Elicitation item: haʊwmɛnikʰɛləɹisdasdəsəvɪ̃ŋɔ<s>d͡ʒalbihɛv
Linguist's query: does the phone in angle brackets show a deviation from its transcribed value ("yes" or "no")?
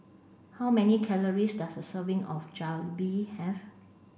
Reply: yes